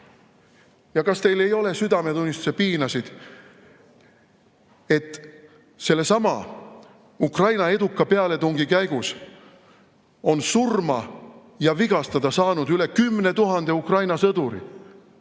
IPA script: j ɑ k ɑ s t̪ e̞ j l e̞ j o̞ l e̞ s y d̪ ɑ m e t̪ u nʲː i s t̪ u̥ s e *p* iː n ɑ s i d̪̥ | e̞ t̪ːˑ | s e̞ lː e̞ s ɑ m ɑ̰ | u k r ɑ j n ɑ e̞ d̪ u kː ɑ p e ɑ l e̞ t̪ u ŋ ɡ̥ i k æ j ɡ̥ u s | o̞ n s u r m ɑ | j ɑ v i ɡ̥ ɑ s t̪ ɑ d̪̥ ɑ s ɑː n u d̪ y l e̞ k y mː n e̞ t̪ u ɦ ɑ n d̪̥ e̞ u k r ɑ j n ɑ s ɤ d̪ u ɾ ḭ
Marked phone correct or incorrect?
correct